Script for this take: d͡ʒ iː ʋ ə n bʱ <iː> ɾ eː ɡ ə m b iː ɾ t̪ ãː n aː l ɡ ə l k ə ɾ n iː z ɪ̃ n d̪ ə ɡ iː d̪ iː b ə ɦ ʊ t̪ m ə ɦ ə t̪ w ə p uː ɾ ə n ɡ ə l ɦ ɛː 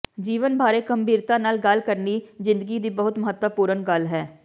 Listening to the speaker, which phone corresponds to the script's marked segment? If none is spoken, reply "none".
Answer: aː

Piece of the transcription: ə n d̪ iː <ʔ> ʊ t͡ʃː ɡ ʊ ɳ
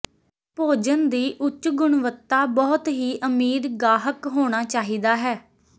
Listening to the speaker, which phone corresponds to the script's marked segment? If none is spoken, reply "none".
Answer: ʔ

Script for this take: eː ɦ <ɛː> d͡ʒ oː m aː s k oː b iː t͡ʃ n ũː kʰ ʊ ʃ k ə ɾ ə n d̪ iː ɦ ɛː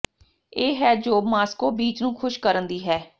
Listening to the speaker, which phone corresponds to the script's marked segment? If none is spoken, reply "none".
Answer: ɛː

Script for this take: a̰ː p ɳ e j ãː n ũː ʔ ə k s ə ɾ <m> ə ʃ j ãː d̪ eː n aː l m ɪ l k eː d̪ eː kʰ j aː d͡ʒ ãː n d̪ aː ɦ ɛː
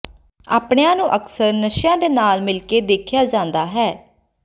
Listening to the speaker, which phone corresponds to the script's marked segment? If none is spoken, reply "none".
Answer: n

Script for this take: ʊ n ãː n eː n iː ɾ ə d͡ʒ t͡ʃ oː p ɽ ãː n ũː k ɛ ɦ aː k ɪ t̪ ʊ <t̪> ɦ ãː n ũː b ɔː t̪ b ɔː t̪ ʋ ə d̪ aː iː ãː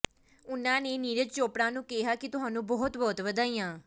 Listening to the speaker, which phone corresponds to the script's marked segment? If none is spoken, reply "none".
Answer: none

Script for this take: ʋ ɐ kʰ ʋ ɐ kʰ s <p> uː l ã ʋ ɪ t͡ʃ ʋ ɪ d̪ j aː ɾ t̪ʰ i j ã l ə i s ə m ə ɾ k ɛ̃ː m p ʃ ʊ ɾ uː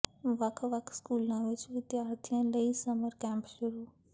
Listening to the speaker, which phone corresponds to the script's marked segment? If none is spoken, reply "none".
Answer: k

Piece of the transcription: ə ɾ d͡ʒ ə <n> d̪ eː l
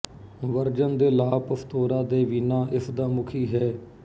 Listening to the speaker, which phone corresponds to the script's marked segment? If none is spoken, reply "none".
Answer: n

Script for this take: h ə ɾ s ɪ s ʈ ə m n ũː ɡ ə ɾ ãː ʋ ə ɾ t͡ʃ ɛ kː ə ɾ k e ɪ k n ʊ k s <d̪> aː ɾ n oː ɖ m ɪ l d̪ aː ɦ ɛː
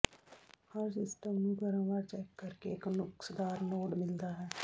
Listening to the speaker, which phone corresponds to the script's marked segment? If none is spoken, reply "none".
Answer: d̪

